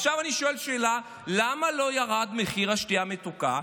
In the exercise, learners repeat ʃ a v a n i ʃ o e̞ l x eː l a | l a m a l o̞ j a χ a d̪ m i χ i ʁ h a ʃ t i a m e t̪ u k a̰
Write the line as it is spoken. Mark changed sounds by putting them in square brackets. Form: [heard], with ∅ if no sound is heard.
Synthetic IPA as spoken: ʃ a v a n i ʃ o e̞ l [ʃ] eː l a | l a m a l o̞ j a [ʁ] a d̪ m [e] χ i ʁ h a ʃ t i a m e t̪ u k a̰